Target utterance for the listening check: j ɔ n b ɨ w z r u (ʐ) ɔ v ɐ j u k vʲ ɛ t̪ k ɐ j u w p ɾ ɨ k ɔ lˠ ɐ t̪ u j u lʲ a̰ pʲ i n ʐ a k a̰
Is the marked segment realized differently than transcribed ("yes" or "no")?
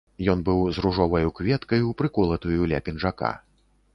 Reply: no